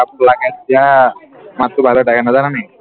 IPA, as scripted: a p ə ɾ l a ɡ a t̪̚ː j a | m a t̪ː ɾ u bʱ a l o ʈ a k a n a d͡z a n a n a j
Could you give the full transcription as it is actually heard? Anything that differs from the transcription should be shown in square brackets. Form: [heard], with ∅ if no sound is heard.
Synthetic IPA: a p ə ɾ l a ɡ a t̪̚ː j a | m a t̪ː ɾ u bʱ a l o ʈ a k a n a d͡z a n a n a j